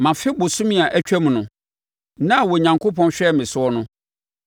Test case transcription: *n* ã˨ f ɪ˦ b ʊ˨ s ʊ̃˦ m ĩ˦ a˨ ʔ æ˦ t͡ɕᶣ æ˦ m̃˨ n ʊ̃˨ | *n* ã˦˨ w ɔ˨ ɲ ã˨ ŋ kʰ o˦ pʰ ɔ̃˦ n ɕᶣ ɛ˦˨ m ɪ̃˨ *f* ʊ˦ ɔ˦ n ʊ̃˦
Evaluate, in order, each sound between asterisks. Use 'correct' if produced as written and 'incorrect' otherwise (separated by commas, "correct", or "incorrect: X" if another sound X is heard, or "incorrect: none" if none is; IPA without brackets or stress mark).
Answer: incorrect: m, correct, incorrect: s